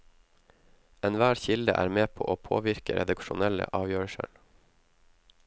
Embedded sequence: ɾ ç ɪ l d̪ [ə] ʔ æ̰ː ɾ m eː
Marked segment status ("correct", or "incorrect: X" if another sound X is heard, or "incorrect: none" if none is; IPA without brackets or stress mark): correct